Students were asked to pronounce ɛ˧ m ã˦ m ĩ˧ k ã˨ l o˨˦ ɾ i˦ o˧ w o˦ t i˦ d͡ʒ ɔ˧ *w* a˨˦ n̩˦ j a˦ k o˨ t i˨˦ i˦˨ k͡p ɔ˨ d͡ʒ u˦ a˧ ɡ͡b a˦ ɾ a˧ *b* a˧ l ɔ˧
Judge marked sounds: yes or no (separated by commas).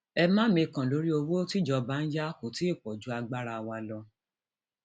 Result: no, no